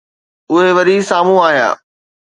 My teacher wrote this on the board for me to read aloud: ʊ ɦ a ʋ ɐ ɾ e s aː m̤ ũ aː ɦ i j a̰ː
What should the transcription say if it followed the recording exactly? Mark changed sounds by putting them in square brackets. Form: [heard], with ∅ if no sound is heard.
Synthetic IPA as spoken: ʊ ɦ [e] ʋ ɐ ɾ [i] s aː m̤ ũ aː ɦ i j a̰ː